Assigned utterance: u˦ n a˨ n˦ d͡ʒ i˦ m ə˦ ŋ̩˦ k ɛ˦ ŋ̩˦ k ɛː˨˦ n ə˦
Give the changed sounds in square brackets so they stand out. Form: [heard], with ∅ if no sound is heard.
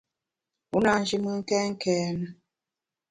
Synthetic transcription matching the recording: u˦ n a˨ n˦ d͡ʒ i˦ m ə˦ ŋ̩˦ k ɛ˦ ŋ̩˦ k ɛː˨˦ n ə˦